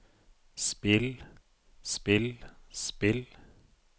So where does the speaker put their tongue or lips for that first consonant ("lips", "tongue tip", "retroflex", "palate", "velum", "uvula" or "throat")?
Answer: tongue tip